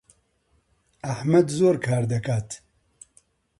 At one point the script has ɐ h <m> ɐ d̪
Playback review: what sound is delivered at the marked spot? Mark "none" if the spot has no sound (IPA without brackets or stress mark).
m